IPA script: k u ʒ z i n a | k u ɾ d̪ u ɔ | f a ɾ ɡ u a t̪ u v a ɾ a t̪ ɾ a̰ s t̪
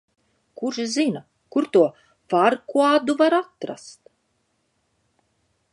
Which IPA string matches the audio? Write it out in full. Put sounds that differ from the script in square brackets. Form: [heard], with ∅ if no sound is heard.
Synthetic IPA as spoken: k u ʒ z i n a | k u ɾ [t̪] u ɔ | f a ɾ [k] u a [d̪] u v a ɾ a t̪ ɾ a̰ s t̪